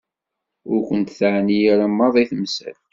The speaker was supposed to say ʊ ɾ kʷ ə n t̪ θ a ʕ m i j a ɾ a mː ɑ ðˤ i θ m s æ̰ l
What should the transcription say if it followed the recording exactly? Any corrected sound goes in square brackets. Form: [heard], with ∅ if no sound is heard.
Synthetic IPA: ʊ ɾ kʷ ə n t̪ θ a ʕ [n] i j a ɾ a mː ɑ ðˤ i θ m s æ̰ l